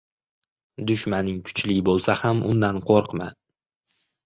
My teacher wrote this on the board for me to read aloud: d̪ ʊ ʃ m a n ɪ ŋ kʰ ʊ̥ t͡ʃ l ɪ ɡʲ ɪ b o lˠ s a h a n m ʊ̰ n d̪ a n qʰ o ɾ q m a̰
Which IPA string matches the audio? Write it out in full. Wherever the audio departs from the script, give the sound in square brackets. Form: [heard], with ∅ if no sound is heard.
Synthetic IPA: d̪ ʊ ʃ m a n ɪ ŋ kʰ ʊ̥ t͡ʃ l ɪ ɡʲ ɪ b o lˠ s a h a [∅] m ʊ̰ n d̪ a n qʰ o ɾ q m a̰